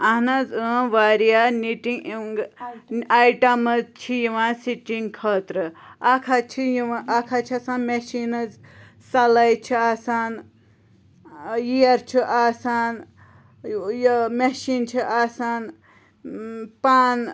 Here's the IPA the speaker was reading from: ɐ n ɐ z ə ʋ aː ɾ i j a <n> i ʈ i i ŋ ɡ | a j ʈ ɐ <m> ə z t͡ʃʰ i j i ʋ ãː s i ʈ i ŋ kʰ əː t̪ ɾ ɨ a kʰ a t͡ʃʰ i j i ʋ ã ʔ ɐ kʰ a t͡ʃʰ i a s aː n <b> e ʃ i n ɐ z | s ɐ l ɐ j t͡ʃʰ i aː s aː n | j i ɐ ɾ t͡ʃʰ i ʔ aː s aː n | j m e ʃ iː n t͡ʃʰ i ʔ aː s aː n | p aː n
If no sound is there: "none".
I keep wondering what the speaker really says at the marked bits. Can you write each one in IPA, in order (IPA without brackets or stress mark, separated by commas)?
n, m, m